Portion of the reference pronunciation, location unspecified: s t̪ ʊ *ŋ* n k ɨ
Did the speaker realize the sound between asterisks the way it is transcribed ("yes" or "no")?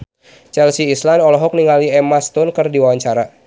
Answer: no